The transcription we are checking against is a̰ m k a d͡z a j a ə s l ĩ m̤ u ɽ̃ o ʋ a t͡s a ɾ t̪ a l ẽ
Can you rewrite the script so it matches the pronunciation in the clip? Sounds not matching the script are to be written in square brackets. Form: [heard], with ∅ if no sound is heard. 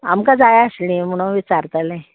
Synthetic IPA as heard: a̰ m k a d͡z a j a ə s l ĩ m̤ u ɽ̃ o ʋ [i] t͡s a ɾ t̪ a l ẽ